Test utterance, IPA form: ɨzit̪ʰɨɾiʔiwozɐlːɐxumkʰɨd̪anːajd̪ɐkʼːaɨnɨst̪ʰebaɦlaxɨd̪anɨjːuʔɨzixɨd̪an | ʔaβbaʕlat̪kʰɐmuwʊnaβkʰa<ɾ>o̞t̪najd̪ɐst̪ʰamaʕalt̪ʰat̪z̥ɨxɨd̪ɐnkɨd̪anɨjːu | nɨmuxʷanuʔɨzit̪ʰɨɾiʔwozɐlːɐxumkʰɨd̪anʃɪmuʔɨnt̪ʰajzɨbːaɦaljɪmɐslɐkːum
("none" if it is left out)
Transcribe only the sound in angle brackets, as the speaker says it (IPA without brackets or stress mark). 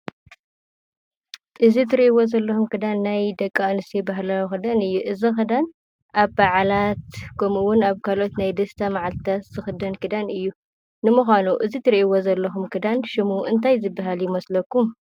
l